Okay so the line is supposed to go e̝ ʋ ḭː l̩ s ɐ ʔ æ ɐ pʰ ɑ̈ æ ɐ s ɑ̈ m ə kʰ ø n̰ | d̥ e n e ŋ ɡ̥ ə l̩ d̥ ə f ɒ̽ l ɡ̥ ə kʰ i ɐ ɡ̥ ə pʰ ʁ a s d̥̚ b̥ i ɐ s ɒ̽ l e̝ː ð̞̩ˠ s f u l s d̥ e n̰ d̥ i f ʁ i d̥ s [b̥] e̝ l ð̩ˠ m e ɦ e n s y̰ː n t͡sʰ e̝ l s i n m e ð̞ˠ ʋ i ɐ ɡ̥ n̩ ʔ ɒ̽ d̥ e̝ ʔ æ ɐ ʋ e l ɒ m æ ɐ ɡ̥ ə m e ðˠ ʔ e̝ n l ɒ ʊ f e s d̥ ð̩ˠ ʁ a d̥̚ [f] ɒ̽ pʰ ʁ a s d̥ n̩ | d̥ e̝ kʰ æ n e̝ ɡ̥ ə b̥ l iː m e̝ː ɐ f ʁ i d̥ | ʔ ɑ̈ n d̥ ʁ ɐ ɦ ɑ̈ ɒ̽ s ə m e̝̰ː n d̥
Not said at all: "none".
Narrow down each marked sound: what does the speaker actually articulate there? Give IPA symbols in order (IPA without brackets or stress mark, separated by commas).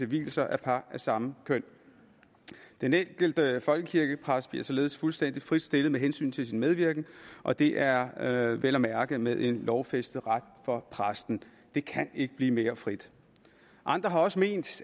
d̥, f